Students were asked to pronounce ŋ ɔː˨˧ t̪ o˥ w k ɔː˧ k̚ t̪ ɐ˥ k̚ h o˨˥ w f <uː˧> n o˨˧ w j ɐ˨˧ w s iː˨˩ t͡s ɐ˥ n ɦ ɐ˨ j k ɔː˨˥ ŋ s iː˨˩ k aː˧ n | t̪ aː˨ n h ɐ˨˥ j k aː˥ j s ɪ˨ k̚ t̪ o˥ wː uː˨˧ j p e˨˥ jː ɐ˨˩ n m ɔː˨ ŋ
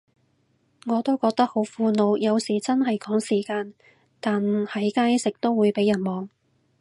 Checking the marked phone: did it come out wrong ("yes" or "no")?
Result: no